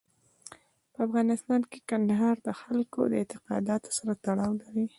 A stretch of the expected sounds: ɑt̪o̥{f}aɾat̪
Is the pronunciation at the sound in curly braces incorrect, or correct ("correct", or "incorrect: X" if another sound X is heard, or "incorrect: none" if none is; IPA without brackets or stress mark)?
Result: incorrect: s